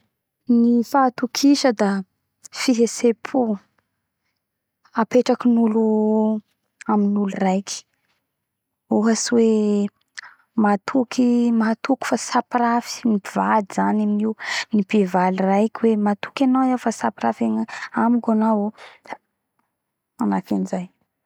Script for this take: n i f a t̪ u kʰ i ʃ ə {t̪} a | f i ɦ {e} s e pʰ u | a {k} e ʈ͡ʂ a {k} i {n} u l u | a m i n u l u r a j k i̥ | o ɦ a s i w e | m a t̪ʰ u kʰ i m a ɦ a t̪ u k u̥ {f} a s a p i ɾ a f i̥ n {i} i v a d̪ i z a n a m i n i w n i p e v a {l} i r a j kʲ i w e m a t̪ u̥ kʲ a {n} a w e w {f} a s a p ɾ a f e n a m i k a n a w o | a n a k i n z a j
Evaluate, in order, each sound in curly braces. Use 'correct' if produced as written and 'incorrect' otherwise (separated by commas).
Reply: incorrect, correct, incorrect, correct, correct, correct, correct, correct, correct, correct